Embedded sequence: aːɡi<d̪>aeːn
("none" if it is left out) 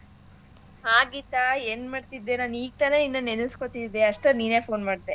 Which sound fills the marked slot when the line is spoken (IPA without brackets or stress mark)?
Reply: t̪